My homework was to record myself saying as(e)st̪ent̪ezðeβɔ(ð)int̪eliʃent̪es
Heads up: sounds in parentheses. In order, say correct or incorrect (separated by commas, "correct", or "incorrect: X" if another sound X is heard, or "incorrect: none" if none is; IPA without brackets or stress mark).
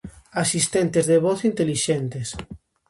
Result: incorrect: i, incorrect: θ